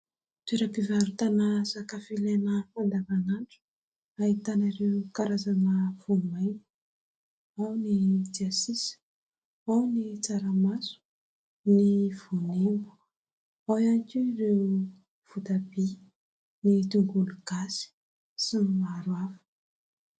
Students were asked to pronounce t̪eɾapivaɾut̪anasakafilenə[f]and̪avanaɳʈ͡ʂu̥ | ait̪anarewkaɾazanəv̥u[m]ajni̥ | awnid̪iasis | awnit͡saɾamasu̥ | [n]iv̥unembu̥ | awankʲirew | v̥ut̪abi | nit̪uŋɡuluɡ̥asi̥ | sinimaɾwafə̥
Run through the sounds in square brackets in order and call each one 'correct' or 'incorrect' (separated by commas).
correct, correct, correct